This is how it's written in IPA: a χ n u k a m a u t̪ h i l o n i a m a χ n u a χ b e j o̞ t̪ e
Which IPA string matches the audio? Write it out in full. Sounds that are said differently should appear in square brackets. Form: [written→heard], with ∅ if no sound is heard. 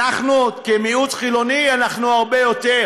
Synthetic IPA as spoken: a χ n u k [a→e] m [a→i] u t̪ [h→χ] i l o n i a [m→n] a χ n u a [χ→ʁ] b e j o̞ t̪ e